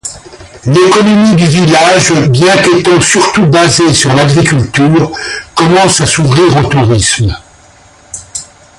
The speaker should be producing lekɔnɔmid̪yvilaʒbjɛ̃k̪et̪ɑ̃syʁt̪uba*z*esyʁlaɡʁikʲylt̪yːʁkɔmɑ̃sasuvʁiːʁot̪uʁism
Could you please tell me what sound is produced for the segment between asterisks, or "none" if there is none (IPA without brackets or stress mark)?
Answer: z